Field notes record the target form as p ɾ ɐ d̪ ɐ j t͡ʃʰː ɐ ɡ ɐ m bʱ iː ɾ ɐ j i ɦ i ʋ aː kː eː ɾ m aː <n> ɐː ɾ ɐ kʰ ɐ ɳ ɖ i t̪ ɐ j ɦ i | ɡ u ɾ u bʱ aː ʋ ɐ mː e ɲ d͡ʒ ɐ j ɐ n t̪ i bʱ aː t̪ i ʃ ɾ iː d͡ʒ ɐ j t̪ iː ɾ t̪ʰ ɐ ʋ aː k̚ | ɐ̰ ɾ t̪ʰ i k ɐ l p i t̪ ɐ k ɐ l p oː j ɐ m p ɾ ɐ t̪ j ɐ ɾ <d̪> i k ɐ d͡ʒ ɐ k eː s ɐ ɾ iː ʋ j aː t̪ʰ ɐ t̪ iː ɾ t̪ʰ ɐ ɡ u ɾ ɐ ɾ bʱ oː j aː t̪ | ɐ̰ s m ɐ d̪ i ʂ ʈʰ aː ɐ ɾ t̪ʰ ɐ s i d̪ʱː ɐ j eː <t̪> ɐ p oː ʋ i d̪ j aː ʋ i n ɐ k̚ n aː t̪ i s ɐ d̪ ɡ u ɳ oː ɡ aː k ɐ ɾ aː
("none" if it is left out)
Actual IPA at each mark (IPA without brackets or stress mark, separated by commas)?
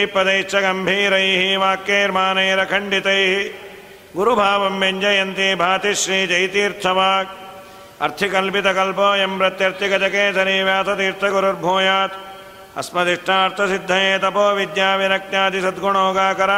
n, t̪, t̪